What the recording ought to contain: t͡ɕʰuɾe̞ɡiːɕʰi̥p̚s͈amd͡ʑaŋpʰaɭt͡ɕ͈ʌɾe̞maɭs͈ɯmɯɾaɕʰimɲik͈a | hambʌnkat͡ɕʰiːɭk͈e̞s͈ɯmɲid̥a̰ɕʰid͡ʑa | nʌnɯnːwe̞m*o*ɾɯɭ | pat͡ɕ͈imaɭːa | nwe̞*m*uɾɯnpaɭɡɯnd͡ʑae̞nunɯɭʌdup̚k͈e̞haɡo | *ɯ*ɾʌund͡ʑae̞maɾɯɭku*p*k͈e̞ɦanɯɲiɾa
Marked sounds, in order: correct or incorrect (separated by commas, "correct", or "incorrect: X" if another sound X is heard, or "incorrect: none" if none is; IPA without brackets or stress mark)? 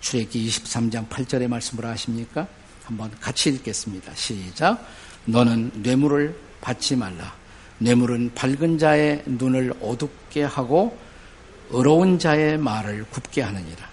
incorrect: u, correct, correct, correct